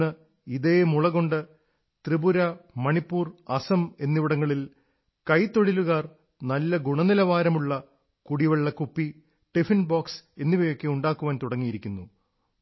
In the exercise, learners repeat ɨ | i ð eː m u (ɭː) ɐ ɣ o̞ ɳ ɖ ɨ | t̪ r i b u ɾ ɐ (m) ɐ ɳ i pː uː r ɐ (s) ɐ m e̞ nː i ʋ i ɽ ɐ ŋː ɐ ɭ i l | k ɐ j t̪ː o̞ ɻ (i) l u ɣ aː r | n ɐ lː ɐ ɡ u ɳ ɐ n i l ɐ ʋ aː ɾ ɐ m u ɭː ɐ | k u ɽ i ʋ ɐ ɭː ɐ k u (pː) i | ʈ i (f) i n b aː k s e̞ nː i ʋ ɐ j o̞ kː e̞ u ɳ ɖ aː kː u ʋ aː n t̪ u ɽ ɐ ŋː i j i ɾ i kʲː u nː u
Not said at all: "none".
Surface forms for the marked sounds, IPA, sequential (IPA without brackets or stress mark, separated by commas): ɭ, m, s, i, pː, f